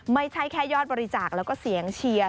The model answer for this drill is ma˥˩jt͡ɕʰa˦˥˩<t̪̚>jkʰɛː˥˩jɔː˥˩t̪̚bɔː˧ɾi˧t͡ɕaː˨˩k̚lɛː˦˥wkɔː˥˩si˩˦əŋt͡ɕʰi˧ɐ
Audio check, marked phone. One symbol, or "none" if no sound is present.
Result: none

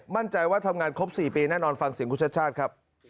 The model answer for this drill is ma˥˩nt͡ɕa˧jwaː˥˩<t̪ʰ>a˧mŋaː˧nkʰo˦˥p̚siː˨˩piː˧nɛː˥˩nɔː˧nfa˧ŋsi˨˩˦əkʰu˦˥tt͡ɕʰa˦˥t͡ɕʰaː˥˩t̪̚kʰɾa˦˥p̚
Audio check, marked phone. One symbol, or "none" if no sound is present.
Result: t̪ʰ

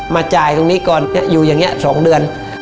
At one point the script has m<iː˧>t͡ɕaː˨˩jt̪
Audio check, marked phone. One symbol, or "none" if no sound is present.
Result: aː˧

